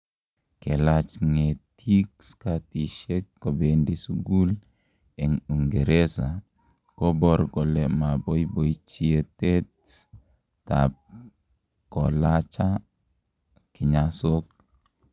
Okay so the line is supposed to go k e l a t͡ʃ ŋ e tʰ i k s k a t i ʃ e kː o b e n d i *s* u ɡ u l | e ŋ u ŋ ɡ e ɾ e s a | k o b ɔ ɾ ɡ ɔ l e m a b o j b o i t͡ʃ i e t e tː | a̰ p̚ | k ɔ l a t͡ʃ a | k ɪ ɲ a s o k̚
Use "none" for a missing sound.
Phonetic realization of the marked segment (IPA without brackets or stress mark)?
s